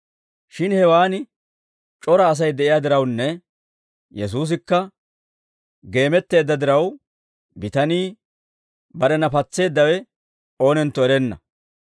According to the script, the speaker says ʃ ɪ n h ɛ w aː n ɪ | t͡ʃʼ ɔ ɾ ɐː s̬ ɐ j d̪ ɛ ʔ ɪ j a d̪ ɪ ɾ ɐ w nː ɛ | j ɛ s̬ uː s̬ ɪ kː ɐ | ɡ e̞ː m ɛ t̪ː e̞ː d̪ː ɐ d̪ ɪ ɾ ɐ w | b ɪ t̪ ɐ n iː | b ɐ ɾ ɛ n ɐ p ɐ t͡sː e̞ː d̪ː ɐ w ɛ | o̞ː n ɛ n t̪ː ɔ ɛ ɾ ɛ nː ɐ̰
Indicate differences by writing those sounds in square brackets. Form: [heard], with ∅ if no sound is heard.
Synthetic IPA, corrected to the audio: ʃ ɪ n h ɛ w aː n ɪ | t͡ʃʼ ɔ ɾ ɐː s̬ ɐ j d̪ ɛ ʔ ɪ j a d̪ ɪ ɾ ɐ w nː ɛ | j ɛ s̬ uː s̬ ɪ kː ɐ | ɡ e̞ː m ɛ t̪ː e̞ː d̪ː ɐ d̪ ɪ ɾ ɐ w | b ɪ t̪ ɐ n iː | b ɐ ɾ ɛ n ɐ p ɐ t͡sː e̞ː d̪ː ɐ w ɛ | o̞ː n ɛ n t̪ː ɔ ɛ ɾ ɛ nː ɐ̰